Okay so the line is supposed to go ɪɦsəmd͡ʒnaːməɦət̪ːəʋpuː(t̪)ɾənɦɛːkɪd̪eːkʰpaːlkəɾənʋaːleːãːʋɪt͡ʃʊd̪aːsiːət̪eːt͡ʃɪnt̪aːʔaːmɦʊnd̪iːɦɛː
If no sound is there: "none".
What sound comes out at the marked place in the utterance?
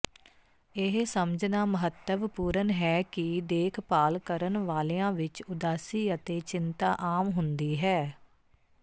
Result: none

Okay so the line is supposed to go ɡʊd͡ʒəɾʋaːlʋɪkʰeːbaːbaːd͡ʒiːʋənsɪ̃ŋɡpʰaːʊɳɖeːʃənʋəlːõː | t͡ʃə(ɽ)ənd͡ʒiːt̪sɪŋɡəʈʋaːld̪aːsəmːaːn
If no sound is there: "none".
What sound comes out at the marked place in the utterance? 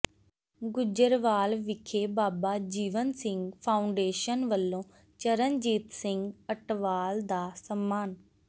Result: ɾ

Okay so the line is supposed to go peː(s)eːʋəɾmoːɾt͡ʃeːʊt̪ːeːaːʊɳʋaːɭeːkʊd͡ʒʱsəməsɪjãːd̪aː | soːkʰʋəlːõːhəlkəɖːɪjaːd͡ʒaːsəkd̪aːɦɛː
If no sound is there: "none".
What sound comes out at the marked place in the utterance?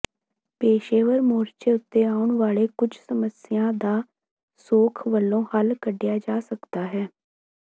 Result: ʃ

